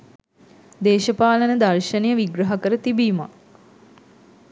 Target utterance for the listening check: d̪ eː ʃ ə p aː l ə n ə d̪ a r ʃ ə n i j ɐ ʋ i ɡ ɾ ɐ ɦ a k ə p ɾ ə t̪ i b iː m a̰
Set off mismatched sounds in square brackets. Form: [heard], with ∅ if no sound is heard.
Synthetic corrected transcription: d̪ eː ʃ ə p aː l ə n ə d̪ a r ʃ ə n [e] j [ə] ʋ i ɡ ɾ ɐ ɦ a k ə [∅] ɾ ə t̪ i b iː m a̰